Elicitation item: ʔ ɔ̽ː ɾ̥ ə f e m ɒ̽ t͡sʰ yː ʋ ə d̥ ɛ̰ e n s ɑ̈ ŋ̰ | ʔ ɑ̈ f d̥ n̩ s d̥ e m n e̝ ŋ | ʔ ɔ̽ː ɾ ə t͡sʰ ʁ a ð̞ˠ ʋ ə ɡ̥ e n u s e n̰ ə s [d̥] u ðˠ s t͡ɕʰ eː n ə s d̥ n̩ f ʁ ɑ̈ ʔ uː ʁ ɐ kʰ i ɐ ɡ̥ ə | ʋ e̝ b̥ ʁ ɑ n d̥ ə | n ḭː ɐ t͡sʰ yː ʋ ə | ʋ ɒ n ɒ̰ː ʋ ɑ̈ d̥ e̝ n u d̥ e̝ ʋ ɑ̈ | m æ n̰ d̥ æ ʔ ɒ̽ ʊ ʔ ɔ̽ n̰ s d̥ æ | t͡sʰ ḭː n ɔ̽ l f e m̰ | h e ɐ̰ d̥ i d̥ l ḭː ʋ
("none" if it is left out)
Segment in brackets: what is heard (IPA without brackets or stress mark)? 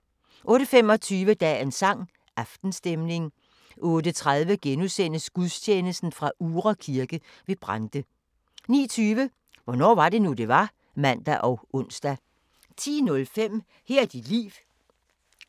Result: ɡ̥